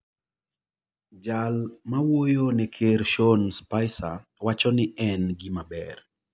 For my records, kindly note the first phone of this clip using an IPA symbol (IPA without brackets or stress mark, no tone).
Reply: d͡ʒ